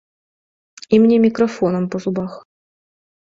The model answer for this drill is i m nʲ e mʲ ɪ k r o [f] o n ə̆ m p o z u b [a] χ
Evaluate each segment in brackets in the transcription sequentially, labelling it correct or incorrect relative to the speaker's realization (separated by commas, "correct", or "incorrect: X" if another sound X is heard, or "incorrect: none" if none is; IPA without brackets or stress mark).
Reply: correct, incorrect: ɑ